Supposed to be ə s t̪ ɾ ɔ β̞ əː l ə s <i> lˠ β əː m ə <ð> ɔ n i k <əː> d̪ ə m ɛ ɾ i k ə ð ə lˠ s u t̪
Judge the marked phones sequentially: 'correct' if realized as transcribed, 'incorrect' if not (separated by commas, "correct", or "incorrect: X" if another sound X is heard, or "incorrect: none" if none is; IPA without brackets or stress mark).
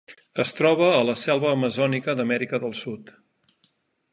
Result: incorrect: ɛ, incorrect: z, incorrect: ə